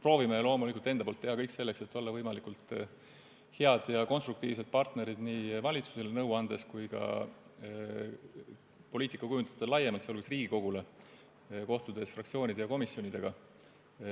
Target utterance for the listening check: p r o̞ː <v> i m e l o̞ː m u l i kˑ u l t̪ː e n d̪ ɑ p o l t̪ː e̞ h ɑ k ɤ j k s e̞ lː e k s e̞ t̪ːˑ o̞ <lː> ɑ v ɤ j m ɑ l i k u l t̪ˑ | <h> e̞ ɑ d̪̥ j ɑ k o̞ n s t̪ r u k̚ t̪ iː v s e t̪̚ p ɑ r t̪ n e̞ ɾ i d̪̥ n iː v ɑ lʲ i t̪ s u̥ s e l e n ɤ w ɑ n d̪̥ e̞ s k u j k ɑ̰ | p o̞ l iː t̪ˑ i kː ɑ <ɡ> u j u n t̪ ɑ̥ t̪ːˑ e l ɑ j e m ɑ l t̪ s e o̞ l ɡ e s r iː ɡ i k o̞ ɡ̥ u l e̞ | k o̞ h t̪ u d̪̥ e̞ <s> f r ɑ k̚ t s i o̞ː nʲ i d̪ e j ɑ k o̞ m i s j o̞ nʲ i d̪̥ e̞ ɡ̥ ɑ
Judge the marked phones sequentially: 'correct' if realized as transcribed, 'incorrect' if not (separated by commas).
correct, correct, correct, incorrect, correct